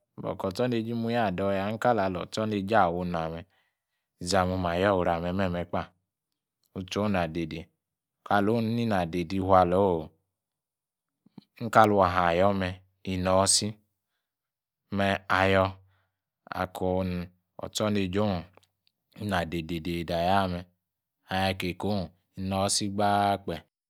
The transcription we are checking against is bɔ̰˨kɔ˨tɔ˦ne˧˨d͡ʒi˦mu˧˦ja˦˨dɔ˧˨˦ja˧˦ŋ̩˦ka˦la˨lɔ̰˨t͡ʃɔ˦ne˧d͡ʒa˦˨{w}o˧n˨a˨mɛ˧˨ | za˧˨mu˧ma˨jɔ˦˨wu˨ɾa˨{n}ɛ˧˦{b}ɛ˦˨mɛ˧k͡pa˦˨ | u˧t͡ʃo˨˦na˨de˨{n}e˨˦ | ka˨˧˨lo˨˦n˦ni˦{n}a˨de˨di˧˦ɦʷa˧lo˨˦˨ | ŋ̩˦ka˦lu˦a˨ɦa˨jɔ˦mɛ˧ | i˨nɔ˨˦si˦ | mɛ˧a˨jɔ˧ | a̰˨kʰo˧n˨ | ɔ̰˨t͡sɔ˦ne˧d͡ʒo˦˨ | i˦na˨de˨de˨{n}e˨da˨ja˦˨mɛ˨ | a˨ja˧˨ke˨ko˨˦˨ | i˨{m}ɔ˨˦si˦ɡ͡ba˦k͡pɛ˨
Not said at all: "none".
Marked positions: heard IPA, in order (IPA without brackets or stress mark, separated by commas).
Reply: w, m, m, d, n, d, n